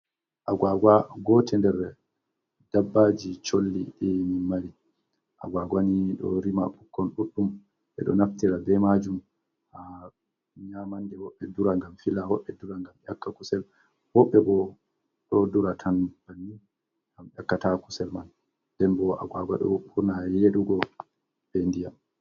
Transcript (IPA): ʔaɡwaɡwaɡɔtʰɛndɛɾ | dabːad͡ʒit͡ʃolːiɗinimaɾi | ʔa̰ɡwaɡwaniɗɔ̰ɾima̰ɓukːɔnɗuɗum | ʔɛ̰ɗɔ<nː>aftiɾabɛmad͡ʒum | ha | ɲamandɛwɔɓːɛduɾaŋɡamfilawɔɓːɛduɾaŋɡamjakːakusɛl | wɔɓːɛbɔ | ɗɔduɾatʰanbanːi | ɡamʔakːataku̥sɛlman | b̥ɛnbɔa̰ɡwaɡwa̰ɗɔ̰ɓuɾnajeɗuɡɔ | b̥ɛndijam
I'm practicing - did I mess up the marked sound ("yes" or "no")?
yes